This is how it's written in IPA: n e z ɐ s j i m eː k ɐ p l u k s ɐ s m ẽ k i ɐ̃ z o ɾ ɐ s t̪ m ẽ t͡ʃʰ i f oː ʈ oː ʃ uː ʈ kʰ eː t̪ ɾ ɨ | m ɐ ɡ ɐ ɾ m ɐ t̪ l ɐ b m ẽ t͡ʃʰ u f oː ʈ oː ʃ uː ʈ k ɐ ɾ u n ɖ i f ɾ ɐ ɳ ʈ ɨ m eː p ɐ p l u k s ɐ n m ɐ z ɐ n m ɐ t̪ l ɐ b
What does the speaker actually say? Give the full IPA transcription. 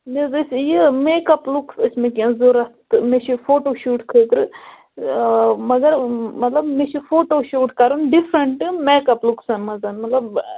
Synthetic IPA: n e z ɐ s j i m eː k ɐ p l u k s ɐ s m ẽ k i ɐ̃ z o ɾ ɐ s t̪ m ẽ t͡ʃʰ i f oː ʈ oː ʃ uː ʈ kʰ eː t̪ ɾ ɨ | m ɐ ɡ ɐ ɾ m ɐ t̪ l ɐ b m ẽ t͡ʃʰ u f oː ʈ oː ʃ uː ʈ k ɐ ɾ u n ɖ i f ɾ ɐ ɳ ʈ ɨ m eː k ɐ p l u k s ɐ n m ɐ z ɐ n m ɐ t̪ l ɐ b

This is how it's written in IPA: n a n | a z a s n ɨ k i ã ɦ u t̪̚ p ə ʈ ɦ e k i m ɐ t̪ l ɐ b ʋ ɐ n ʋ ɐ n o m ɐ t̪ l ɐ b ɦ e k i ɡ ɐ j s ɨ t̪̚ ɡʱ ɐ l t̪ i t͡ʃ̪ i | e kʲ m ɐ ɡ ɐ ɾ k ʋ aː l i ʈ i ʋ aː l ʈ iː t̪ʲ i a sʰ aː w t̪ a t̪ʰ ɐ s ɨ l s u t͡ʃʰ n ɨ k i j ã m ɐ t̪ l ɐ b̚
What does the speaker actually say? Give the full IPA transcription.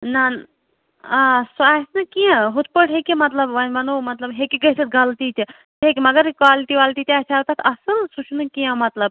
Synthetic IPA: n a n | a s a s n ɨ k i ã ɦ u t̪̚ p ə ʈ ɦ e k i m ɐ t̪ l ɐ b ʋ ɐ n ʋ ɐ n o m ɐ t̪ l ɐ b ɦ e k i ɡ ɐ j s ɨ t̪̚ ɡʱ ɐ l t̪ i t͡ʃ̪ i | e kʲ m ɐ ɡ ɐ ɾ k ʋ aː l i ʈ i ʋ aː l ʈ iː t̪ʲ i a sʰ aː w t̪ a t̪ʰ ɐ s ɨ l s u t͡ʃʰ n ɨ k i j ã m ɐ t̪ l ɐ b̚

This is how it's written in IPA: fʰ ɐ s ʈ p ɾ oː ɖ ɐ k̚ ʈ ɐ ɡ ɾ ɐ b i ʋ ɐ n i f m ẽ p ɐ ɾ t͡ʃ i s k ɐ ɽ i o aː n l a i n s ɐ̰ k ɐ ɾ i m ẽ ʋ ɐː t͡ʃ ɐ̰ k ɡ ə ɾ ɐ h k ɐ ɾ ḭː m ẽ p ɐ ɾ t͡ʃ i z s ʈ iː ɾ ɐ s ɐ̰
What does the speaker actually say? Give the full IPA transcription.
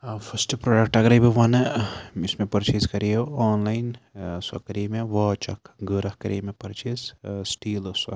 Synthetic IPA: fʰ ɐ s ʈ p ɾ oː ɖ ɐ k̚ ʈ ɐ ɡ ɾ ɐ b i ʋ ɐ n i s m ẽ p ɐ ɾ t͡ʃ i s k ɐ ɾ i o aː n l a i n s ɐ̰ k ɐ ɾ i m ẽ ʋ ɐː t͡ʃ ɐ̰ k ɡ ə ɾ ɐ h k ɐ ɾ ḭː m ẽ p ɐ ɾ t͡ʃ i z s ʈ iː l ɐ s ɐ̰

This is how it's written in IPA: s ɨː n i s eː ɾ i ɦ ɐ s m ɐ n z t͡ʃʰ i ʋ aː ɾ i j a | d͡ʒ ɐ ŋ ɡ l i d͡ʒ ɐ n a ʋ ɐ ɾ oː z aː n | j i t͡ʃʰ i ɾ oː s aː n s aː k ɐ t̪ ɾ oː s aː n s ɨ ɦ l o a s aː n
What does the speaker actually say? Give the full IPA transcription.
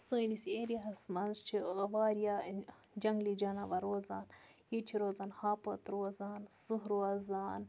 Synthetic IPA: s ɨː n i s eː ɾ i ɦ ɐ s m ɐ n z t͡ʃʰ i ʋ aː ɾ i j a | d͡ʒ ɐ ŋ ɡ l i d͡ʒ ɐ n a ʋ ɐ ɾ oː z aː n | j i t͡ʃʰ i ɾ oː z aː n h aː p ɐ t̪ ɾ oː z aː n s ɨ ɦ ɾ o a z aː n

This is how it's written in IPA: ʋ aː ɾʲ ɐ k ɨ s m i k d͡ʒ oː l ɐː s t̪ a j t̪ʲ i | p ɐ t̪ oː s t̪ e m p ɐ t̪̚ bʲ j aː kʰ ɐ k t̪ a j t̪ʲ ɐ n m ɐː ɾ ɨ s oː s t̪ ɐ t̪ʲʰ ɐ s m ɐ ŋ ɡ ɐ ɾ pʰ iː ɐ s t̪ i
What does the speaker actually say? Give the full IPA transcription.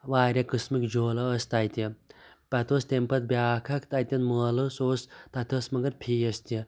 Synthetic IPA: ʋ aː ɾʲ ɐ k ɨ s m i k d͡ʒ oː l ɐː s t̪ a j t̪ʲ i | p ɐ t̪ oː s t̪ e m p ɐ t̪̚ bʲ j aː kʰ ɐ k t̪ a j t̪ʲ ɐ n m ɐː l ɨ s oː s t̪ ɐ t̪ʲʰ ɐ s m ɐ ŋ ɡ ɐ ɾ pʰ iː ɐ s t̪ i

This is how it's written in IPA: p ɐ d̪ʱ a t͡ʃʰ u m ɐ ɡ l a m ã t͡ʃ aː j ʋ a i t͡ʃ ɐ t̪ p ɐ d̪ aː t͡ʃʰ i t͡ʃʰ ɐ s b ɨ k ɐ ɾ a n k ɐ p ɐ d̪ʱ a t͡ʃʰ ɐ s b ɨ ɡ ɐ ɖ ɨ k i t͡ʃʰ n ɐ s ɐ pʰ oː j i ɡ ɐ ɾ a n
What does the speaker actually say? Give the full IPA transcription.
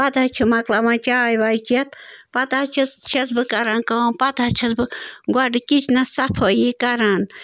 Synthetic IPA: p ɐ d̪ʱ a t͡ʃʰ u m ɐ k l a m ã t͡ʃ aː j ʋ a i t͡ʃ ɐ t̪ p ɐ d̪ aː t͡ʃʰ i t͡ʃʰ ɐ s b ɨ k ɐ ɾ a n k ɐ p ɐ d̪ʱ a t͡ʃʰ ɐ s b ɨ ɡ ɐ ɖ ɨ k i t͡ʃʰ n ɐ s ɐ pʰ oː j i k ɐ ɾ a n

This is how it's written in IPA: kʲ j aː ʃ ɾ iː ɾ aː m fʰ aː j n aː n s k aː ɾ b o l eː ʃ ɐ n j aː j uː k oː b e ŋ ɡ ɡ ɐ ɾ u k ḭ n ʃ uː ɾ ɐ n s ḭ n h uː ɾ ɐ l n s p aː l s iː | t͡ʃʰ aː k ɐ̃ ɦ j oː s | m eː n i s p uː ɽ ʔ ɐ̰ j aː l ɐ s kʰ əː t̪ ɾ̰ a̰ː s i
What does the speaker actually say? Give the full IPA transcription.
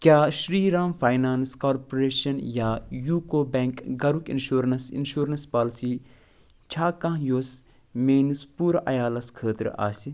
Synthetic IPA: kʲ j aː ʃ ɾ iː ɾ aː m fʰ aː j n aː n s k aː ɾ p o ɾ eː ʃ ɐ n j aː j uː k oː b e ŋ k ɡ ɐ ɾ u k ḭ n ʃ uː ɾ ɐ n s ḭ n ʃ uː ɾ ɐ n s p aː l s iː | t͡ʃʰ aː k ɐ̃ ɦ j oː s | m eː n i s p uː ɾ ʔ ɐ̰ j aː l ɐ s kʰ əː t̪ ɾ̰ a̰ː s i

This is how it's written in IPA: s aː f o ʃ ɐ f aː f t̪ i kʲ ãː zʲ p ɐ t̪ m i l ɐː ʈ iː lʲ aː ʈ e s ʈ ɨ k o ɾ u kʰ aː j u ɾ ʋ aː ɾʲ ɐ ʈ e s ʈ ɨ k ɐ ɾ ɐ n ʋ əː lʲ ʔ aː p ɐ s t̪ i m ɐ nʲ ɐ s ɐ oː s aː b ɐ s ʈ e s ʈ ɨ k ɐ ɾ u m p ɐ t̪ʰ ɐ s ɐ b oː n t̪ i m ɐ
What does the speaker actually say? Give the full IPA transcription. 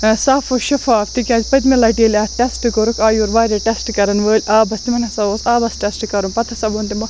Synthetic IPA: s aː f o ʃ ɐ f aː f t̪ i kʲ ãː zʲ p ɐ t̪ m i l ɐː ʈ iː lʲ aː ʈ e s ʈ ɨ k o ɾ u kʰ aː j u ɾ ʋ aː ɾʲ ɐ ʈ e s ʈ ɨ k ɐ ɾ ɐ n ʋ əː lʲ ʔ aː b ɐ s t̪ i m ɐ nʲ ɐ s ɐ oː s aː b ɐ s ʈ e s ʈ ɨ k ɐ ɾ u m p ɐ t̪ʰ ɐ s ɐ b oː n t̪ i m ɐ

